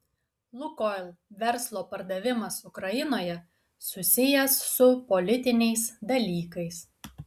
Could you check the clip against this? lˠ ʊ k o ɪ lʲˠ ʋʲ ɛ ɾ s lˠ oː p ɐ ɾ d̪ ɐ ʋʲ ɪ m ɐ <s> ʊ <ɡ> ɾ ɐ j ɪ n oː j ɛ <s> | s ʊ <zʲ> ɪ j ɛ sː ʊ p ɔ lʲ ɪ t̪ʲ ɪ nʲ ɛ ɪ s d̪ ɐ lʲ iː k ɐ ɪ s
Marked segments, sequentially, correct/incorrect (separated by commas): correct, incorrect, incorrect, incorrect